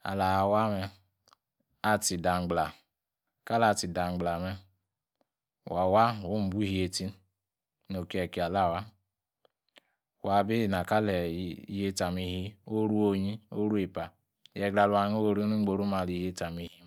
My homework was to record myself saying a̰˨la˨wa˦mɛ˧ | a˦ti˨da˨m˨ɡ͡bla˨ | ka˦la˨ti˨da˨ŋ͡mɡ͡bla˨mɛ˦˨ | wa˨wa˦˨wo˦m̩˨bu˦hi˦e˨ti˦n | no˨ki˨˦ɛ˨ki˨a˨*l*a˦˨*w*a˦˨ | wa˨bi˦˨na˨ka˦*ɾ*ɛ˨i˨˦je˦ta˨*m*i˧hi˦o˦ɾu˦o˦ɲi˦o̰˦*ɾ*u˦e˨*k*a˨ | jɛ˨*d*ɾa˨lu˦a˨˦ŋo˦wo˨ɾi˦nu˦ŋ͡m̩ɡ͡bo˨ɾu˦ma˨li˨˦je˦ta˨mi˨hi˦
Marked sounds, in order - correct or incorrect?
correct, correct, incorrect: l, correct, correct, incorrect: p, incorrect: ɡ

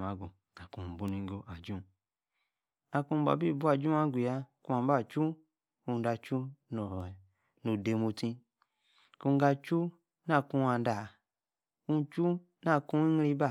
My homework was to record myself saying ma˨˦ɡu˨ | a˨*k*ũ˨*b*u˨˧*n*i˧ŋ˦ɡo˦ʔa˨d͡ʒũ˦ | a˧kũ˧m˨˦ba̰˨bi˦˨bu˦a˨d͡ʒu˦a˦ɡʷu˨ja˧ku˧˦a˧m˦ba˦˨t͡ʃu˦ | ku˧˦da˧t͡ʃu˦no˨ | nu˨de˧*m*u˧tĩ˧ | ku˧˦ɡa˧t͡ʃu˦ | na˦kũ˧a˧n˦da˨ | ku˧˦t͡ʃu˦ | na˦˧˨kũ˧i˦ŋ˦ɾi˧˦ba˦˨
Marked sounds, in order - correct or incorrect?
correct, correct, correct, correct

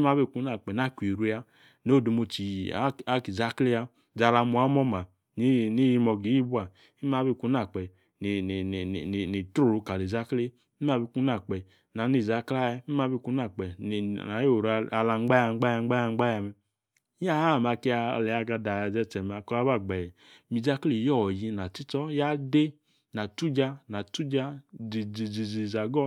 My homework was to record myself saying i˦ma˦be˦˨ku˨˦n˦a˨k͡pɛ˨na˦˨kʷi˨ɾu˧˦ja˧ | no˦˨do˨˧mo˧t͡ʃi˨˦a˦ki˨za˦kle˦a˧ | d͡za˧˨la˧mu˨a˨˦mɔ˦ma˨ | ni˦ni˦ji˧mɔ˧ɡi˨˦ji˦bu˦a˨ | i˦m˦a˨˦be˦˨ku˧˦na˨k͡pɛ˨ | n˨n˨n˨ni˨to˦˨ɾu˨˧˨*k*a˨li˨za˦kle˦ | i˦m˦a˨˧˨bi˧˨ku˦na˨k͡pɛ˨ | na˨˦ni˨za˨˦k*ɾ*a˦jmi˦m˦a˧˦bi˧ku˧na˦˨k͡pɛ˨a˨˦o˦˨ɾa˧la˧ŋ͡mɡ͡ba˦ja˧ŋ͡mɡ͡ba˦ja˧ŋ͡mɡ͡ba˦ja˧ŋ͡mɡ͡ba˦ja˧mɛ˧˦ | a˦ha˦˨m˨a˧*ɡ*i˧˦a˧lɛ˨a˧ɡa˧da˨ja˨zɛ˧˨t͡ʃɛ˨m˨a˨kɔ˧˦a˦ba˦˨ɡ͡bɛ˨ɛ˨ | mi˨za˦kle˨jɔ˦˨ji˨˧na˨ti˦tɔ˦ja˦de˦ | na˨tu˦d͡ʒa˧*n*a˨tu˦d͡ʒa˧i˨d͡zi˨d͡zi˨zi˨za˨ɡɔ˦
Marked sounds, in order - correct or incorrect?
correct, incorrect: l, incorrect: k, correct

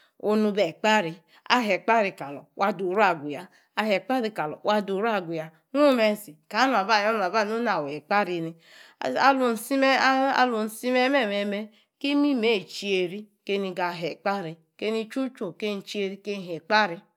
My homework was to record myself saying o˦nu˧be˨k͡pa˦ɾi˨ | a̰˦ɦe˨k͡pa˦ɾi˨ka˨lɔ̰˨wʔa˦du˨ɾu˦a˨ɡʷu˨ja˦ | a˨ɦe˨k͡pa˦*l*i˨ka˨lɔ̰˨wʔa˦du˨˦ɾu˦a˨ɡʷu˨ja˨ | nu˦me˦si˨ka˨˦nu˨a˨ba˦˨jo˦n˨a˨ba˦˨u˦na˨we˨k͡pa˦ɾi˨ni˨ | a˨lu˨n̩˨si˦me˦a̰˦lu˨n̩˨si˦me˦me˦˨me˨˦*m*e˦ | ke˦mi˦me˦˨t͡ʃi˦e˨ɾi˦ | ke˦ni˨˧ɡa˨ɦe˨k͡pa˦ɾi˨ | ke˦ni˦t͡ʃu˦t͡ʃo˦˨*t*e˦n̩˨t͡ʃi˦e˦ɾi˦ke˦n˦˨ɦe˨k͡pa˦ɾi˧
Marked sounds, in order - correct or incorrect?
incorrect: ɾ, correct, incorrect: k

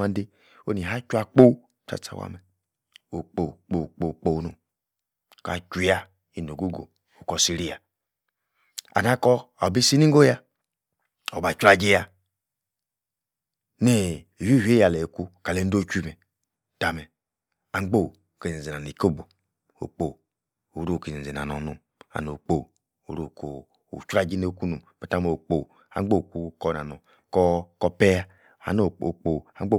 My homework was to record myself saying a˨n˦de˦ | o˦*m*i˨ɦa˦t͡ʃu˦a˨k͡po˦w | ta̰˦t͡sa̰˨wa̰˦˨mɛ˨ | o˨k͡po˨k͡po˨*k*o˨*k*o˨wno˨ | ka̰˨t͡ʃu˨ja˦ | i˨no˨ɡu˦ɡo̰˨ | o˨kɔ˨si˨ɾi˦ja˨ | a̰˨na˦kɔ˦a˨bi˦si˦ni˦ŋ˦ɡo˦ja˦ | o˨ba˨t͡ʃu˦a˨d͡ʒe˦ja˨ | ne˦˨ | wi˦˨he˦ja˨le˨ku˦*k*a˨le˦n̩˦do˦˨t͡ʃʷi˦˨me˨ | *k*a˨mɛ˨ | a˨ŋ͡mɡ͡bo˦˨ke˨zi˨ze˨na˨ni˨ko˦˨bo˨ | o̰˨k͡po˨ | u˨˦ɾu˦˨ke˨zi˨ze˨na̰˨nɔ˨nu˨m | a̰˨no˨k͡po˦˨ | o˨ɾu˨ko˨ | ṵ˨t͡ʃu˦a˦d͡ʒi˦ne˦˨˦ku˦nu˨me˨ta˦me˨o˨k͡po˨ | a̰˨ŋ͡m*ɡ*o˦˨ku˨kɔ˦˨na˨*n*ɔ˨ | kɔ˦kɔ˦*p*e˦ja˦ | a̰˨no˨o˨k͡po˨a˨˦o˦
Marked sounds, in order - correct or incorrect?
incorrect: n, incorrect: k͡p, incorrect: k͡p, correct, incorrect: t, incorrect: ɡ͡b, correct, correct

